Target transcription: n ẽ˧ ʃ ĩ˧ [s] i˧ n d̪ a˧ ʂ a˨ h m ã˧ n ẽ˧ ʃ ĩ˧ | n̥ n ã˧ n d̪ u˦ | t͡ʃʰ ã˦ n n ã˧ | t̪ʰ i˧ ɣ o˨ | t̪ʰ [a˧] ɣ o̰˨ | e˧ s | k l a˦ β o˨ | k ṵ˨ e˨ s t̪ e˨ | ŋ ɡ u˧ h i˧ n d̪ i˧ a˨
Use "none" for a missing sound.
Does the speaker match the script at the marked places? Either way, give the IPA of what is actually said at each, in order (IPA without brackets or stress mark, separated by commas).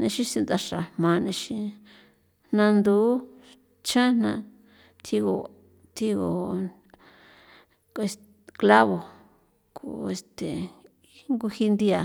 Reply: s, i˧